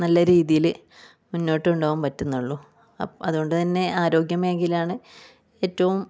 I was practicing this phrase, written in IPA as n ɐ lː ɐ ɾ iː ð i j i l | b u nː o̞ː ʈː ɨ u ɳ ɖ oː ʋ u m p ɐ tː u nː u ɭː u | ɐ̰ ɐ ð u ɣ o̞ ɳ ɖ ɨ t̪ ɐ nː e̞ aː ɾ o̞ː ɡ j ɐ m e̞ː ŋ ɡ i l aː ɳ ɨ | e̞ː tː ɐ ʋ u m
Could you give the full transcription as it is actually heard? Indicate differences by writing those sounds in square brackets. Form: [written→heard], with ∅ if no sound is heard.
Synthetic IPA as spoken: n ɐ lː ɐ ɾ iː ð i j i l | [b→m] u nː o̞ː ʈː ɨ u ɳ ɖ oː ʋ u m p ɐ tː u nː u ɭː u | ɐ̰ ɐ ð u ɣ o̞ ɳ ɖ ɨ t̪ ɐ nː e̞ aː ɾ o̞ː ɡ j ɐ m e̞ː ŋ ɡ i l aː ɳ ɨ | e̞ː tː ɐ ʋ u m